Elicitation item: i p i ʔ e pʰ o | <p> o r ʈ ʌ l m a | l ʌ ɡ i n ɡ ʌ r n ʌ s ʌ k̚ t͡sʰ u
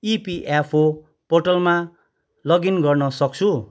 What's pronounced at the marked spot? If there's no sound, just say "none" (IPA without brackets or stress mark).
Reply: p